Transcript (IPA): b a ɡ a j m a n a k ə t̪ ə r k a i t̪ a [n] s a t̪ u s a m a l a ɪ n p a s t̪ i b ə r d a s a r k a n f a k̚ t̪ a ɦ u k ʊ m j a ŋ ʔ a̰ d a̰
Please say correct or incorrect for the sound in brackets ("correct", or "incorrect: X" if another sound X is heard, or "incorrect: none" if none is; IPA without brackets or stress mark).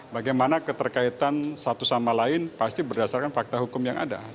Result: correct